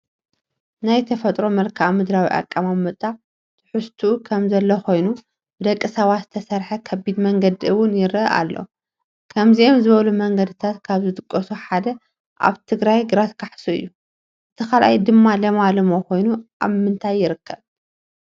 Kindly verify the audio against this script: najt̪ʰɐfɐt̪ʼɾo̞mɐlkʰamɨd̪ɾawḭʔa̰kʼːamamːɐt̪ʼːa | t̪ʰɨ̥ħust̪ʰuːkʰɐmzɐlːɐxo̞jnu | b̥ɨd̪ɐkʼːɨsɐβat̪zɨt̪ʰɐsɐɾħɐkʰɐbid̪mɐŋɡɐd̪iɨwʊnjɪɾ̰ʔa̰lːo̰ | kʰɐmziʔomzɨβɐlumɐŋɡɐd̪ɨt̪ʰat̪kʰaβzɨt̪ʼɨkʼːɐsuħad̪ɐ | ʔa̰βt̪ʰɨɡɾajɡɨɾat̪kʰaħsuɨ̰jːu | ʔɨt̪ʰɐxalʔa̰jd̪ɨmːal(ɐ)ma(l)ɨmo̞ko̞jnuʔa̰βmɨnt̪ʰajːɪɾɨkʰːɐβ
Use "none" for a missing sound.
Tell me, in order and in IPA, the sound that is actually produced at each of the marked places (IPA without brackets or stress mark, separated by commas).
ɐ, l